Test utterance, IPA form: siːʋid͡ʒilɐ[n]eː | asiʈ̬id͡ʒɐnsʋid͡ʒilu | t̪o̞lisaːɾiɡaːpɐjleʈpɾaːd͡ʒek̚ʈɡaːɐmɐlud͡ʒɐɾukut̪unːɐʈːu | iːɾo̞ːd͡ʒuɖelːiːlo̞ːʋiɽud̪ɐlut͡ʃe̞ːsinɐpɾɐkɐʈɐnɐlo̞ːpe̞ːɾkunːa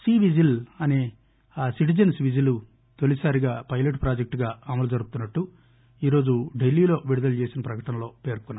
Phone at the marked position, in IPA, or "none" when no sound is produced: n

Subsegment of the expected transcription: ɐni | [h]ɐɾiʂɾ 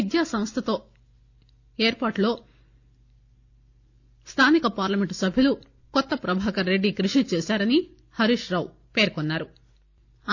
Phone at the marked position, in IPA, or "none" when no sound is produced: h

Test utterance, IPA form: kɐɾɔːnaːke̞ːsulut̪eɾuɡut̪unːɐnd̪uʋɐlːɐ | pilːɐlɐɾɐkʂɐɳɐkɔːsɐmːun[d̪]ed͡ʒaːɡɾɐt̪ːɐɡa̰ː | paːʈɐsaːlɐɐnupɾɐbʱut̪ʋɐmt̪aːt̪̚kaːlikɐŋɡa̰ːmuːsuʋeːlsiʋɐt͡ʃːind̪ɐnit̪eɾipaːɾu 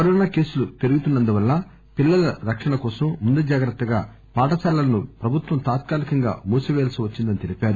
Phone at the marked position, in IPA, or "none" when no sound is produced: d̪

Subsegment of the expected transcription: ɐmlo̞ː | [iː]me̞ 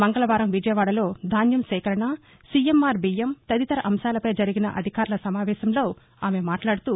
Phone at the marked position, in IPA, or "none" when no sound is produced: aː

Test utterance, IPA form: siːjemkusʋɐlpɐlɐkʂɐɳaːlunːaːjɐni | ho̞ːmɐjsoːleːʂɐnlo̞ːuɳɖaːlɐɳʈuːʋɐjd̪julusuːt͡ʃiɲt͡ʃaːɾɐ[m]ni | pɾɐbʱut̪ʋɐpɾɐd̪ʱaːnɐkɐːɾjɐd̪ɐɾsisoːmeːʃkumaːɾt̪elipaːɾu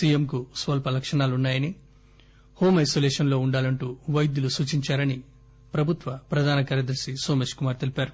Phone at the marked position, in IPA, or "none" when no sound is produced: none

